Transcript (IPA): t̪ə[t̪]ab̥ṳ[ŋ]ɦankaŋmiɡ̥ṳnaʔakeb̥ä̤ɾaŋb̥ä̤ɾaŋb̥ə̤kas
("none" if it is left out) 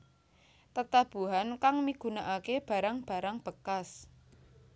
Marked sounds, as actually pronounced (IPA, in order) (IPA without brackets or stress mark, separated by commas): t̪, none